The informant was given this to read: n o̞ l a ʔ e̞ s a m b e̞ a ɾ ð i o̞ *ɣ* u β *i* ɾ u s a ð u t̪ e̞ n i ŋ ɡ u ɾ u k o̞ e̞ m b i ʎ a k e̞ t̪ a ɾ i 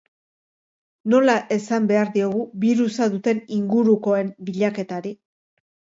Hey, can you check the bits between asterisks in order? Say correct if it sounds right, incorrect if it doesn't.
correct, correct

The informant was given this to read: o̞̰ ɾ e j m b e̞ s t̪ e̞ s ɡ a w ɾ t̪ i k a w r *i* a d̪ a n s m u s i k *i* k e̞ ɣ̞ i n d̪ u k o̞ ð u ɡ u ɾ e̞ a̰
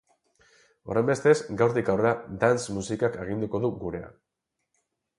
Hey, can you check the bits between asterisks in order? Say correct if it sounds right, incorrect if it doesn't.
incorrect, incorrect

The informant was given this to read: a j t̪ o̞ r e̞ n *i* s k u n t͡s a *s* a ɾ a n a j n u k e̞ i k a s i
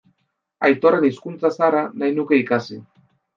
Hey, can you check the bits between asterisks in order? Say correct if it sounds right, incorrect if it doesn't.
correct, correct

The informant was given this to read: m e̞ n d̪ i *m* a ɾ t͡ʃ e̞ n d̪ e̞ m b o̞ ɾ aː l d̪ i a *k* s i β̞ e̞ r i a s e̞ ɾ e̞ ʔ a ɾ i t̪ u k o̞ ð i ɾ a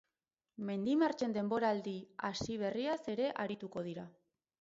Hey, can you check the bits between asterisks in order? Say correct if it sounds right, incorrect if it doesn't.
correct, incorrect

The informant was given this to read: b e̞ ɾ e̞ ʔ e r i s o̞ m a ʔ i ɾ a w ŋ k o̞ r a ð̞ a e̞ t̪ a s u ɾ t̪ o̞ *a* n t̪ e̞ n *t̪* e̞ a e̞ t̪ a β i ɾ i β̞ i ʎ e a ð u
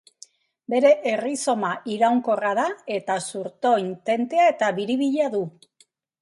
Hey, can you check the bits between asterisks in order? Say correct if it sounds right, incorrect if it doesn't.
incorrect, correct

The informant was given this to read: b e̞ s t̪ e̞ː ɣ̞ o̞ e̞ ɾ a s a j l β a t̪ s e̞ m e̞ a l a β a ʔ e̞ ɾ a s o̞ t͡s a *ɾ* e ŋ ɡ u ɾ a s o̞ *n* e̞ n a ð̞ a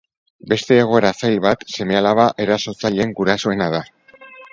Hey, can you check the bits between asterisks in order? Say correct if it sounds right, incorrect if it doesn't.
incorrect, incorrect

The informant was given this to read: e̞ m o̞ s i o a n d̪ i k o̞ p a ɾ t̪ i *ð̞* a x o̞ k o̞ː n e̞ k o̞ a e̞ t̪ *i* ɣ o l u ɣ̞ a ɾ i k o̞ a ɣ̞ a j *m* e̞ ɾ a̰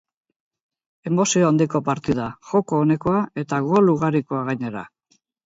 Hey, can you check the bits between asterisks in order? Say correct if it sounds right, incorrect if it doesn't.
correct, incorrect, incorrect

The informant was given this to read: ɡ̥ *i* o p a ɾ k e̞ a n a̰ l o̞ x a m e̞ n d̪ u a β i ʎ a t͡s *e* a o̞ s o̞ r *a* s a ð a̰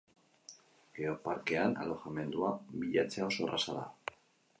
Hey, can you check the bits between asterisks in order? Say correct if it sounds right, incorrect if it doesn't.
incorrect, correct, correct

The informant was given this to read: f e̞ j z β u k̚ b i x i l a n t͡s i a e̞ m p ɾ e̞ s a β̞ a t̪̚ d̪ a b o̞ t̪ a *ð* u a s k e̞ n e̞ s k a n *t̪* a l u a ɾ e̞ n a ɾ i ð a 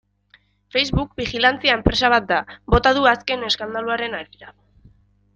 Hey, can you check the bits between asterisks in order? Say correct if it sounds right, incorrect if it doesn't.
correct, incorrect

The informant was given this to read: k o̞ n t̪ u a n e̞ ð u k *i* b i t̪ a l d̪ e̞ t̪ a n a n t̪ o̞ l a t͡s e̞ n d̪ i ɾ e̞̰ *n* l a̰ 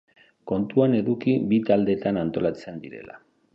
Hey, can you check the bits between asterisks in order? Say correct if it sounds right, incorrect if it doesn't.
correct, incorrect

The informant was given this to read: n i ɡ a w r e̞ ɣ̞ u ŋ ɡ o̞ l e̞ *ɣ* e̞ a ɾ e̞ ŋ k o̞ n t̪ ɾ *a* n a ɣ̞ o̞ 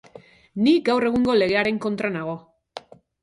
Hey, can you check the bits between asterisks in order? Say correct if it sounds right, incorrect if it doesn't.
correct, correct

